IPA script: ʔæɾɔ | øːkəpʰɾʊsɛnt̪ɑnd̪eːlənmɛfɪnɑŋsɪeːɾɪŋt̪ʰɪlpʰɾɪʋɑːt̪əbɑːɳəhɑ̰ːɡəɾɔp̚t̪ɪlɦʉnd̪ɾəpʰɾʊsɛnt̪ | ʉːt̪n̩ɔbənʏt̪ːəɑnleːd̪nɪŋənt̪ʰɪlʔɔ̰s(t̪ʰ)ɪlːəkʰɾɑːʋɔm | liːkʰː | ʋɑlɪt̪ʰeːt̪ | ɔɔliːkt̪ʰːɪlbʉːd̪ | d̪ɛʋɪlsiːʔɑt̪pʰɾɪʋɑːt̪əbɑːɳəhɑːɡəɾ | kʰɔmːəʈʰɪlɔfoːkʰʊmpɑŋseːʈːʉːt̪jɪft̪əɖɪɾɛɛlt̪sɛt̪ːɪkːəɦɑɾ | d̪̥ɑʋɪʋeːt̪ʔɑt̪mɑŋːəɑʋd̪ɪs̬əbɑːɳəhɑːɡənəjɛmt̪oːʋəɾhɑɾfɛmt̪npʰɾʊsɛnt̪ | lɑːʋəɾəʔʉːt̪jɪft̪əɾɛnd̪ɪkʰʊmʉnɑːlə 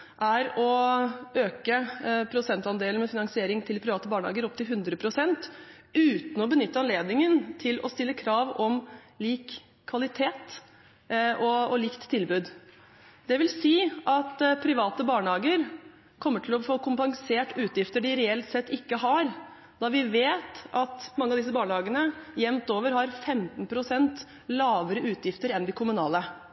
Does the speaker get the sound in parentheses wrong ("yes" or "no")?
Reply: yes